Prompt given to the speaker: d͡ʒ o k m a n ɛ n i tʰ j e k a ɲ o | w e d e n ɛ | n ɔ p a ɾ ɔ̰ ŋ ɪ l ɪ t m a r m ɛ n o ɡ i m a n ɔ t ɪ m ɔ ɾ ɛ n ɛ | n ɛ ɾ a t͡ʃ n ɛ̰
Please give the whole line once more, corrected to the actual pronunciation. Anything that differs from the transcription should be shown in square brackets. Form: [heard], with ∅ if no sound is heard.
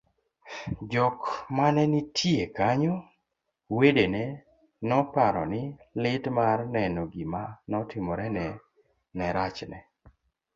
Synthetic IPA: d͡ʒ [ɔ] k m a n ɛ n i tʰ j e k a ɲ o | w e d e n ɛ | n ɔ p a ɾ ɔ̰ [n] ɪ l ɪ t m a r [n] ɛ n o ɡ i m a n ɔ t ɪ m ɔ ɾ ɛ n ɛ | n ɛ ɾ a t͡ʃ n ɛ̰